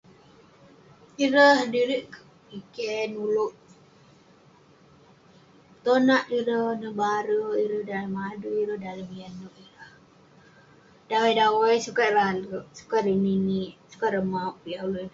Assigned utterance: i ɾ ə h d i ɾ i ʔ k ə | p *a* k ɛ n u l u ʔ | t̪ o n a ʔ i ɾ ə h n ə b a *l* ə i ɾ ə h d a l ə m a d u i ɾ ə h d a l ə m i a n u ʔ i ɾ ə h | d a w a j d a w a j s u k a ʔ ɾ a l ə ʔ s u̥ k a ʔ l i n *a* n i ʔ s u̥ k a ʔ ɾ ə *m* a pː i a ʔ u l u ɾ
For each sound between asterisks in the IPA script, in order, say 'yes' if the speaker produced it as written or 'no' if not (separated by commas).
no, no, no, yes